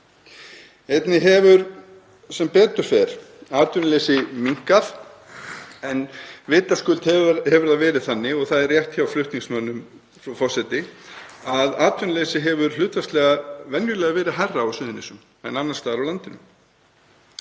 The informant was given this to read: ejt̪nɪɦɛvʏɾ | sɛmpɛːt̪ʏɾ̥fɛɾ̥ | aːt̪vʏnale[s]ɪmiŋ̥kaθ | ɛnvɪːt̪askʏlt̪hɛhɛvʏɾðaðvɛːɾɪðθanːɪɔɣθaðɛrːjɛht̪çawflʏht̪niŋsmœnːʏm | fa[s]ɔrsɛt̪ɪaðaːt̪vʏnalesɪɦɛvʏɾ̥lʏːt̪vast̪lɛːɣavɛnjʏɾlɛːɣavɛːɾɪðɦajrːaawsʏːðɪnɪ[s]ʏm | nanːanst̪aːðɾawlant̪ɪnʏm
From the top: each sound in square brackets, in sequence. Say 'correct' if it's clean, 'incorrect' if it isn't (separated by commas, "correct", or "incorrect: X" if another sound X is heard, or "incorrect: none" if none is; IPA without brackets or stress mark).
correct, incorrect: f, correct